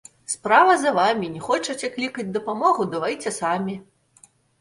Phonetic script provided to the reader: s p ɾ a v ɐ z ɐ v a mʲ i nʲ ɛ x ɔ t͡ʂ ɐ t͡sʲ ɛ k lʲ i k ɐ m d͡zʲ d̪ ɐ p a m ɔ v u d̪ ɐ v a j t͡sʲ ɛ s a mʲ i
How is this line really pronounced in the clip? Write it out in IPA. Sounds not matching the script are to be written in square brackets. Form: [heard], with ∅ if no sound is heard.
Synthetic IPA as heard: s p ɾ a v ɐ z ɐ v a mʲ i nʲ ɛ x ɔ t͡ʂ ɐ t͡sʲ ɛ k lʲ i k ɐ [∅] d͡zʲ d̪ ɐ p a m ɔ [ɣ] u d̪ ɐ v a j t͡sʲ ɛ s a mʲ i